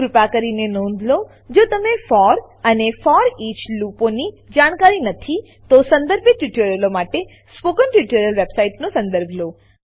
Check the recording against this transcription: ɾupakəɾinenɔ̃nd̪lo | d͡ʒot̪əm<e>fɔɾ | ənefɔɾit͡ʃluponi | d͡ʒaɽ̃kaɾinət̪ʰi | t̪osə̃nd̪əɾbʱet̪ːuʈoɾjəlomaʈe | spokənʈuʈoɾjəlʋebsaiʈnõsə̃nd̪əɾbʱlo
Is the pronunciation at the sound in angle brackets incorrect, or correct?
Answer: correct